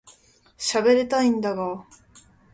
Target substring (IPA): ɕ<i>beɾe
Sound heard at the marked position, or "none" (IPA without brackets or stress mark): a